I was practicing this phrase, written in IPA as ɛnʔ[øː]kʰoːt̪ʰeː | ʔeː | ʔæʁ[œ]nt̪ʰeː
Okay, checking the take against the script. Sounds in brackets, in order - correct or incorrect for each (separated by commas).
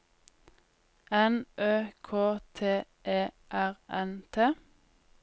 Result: correct, incorrect